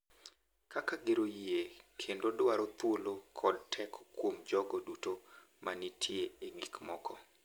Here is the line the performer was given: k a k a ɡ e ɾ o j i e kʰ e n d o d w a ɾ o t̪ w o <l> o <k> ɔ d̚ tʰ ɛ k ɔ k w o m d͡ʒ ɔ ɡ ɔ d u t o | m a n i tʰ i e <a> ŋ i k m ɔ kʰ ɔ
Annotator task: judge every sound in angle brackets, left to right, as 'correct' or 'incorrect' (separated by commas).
correct, incorrect, incorrect